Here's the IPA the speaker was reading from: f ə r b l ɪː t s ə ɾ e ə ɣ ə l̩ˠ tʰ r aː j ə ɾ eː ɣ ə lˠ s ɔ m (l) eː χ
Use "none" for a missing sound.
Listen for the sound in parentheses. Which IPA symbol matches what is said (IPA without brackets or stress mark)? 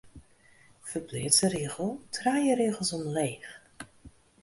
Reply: l